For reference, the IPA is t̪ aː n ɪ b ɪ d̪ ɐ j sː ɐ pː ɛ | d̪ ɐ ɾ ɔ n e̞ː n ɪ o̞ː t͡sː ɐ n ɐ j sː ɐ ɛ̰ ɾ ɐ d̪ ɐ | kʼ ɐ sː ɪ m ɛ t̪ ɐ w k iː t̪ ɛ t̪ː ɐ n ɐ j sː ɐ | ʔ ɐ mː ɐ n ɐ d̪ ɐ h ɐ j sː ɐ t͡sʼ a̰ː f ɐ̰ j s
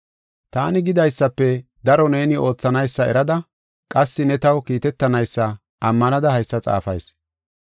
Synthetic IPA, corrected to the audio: t̪ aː n ɪ ɡ ɪ d̪ ɐ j sː ɐ pː ɛ | d̪ ɐ ɾ ɔ n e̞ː n ɪ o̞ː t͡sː ɐ n ɐ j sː ɐ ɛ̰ ɾ ɐ d̪ ɐ | kʼ ɐ sː ɪ n ɛ t̪ ɐ w k iː t̪ ɛ t̪ː ɐ n ɐ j sː ɐ | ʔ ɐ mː ɐ n ɐ d̪ ɐ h ɐ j sː ɐ t͡sʼ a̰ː f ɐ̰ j s